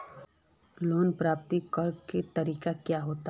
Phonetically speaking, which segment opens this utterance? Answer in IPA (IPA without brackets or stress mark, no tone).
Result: l